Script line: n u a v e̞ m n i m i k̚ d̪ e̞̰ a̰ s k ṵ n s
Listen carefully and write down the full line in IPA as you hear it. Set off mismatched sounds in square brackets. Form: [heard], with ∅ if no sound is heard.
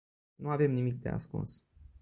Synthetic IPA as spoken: n u a v e̞ m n i m i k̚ d̪ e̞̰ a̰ s k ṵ n s